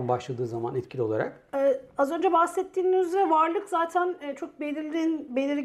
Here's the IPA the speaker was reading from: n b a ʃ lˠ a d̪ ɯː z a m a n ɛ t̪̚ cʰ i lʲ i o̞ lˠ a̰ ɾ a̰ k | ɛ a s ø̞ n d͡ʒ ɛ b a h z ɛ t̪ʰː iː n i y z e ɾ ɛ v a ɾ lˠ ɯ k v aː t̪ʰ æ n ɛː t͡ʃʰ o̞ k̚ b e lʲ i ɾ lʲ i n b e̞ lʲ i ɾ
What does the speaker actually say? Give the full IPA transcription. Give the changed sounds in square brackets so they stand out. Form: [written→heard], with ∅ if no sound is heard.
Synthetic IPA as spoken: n b a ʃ lˠ a d̪ ɯː z a m a n ɛ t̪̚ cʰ i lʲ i o̞ lˠ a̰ ɾ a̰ k | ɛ a [s→z] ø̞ n d͡ʒ ɛ b a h [z→s] ɛ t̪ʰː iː n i y z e ɾ ɛ v a ɾ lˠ ɯ k [v→z] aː t̪ʰ æ n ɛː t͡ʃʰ o̞ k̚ b e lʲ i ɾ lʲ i n b e̞ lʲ i ɾ